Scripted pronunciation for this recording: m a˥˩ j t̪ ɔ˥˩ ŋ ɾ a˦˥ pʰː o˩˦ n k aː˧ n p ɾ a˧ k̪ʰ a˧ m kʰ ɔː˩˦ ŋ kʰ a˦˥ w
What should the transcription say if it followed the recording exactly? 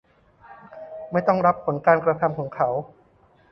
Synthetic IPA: m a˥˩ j t̪ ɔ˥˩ ŋ ɾ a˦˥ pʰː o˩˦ n k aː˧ n k ɾ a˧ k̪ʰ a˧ m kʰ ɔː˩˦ ŋ kʰ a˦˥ w